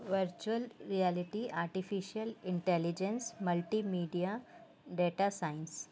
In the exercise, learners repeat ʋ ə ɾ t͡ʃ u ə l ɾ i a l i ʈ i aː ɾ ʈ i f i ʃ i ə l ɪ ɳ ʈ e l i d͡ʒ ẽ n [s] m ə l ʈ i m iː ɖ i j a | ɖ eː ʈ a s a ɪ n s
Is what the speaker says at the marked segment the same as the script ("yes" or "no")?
yes